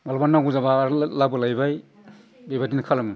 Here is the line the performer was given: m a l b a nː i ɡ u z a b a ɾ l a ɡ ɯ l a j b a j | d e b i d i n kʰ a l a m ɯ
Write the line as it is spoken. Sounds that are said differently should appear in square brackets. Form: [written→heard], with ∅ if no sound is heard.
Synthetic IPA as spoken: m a l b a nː [i→a] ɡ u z a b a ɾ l a [ɡ→b] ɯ l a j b a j | [d→b] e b [i→a] d i n kʰ a l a m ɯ